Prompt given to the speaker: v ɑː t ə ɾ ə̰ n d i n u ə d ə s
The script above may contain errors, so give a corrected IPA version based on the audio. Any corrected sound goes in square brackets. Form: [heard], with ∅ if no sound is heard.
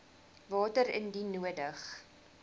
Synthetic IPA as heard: v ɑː t ə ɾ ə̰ n d i n u ə d ə [χ]